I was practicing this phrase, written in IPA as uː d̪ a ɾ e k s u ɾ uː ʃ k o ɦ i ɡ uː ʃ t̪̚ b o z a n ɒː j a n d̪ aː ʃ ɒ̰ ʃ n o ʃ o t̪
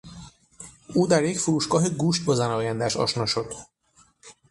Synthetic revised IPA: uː d̪ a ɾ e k f u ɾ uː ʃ k ɒ ɦ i ɡ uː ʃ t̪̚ b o z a n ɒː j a n d̪ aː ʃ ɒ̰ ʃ n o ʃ o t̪